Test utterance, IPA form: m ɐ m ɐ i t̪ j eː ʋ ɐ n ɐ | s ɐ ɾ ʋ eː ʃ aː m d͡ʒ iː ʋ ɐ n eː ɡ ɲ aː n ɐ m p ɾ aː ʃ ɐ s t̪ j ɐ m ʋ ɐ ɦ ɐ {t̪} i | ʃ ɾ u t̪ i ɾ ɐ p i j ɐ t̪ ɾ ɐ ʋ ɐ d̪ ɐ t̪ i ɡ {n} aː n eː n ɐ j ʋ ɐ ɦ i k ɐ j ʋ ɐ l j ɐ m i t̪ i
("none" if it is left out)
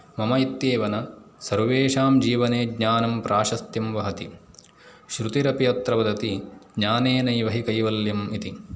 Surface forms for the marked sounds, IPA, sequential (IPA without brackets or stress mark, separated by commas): t̪, ɲ